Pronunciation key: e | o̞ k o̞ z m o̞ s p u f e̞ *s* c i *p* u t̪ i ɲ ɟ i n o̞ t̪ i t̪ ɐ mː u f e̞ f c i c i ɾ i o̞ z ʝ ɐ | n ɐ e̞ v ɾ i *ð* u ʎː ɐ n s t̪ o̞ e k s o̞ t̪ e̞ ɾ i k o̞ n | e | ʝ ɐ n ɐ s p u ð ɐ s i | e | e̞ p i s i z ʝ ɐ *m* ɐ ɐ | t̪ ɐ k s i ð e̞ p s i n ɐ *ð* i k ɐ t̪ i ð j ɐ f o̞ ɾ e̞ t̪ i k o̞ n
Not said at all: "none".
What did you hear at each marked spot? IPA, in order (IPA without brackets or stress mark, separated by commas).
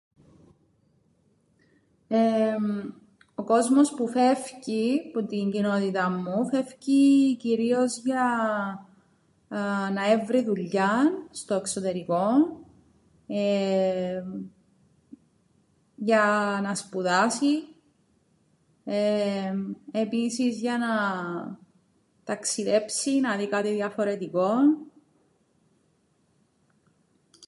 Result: f, p, ð, n, ð